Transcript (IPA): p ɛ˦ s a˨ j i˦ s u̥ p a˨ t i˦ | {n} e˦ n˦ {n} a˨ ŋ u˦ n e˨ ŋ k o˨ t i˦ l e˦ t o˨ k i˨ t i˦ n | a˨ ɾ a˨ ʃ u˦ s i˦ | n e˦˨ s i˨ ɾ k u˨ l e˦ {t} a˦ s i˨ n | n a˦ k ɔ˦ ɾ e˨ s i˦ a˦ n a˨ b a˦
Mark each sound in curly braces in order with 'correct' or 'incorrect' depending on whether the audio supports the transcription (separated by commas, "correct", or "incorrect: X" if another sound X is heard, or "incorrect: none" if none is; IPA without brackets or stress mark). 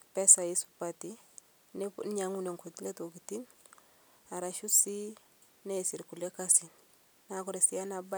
correct, incorrect: ɲ, incorrect: k